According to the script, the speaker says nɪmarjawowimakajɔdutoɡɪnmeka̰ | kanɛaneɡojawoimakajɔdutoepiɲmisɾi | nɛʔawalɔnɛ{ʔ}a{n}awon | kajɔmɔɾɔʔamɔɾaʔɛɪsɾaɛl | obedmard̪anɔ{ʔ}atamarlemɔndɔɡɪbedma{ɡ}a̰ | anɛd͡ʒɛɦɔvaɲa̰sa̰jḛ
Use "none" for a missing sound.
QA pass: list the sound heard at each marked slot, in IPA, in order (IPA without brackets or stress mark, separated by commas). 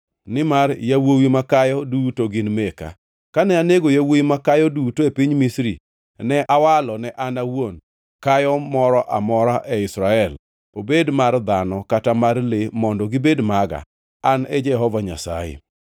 ʔ, n, k, ɡ